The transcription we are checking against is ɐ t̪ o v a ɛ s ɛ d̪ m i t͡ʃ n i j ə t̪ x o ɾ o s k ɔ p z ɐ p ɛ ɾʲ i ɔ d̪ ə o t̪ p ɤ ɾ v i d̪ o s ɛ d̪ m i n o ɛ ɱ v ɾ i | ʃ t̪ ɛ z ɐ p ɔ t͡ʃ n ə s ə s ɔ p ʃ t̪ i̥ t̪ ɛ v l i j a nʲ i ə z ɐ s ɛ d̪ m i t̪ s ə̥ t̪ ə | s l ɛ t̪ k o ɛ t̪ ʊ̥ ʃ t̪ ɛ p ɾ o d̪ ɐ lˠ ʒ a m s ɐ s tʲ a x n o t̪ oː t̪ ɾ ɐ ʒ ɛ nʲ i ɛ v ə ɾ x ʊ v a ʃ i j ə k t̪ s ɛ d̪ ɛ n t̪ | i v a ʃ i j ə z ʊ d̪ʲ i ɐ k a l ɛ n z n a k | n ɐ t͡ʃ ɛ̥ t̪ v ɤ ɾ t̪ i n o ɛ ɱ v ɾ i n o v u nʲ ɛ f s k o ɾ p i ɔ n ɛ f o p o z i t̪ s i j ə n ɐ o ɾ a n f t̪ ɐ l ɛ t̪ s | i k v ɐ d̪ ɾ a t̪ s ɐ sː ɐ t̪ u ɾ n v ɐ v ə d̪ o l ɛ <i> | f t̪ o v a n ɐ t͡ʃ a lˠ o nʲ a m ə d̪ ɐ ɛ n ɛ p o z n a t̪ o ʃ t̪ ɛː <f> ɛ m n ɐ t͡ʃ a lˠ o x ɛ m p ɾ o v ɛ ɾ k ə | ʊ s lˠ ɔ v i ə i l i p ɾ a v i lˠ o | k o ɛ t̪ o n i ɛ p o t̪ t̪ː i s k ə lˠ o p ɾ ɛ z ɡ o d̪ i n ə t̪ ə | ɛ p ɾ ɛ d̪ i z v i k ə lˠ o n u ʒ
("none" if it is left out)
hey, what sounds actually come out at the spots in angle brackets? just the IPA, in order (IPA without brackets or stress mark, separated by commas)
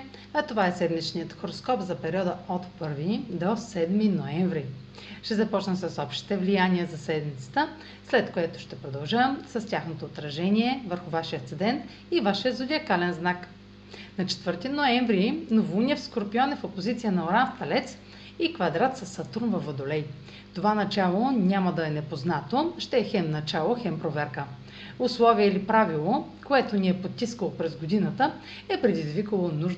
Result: j, x